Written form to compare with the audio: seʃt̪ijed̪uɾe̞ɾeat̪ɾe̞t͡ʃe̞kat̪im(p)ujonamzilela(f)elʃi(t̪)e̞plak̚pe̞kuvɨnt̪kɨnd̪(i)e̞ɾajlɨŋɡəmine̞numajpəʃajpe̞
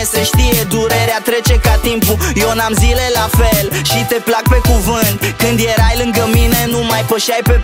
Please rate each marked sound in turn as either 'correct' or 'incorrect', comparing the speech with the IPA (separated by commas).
correct, correct, correct, incorrect